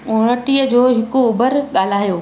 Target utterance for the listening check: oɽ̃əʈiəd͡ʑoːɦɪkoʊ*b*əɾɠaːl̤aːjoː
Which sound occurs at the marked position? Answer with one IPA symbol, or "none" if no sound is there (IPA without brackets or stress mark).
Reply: b